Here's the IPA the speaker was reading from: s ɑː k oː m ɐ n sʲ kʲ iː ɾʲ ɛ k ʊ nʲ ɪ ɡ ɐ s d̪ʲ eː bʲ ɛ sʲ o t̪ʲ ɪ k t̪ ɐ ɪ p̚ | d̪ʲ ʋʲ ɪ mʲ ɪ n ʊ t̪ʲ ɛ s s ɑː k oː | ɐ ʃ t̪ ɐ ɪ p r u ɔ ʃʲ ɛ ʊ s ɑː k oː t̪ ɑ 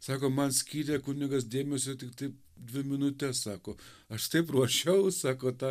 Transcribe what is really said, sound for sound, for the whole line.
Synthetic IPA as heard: s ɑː k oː m ɐ n sʲ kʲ iː ɾʲ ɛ k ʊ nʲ ɪ ɡ ɐ s d̪ʲ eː mʲ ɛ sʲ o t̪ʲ ɪ k t̪ ɐ ɪ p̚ | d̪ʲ ʋʲ ɪ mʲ ɪ n ʊ t̪ʲ ɛ s s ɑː k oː | ɐ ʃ t̪ ɐ ɪ p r u ɔ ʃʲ ɛ ʊ s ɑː k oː t̪ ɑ